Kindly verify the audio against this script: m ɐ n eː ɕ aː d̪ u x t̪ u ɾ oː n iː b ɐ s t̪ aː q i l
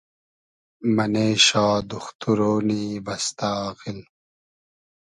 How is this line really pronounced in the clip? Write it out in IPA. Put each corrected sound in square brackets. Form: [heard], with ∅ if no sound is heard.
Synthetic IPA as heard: m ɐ n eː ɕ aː d̪ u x t̪ u ɾ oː n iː b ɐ s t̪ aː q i l